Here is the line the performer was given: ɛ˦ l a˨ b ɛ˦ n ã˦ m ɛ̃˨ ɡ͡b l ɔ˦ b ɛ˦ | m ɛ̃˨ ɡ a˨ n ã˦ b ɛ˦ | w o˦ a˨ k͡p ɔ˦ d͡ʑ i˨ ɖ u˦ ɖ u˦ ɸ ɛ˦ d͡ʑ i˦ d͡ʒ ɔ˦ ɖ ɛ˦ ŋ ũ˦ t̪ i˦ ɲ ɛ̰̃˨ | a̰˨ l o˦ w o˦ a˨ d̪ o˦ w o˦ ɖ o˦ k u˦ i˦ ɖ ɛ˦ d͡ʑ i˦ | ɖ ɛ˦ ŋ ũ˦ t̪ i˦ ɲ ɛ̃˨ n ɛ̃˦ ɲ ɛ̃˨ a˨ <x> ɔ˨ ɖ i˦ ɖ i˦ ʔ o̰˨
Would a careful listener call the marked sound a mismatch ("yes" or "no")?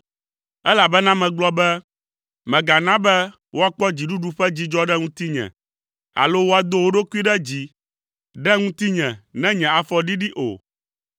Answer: yes